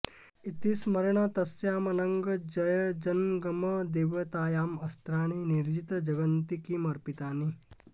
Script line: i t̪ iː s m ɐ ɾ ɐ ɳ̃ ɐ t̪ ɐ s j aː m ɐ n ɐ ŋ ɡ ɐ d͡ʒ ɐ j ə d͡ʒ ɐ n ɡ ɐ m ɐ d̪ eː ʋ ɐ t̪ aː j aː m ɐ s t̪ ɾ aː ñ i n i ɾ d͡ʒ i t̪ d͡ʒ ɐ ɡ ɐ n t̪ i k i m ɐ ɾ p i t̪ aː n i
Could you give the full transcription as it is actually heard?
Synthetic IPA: i t̪ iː s m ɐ ɾ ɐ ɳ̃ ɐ t̪ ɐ s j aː m ɐ n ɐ ŋ ɡ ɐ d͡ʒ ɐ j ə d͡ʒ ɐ n ɡ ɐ m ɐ d̪ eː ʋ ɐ t̪ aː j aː m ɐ s t̪ ɾ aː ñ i n i ɾ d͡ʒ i t̪ d͡ʒ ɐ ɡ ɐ n t̪ i k i m ɐ ɾ p i t̪ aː n i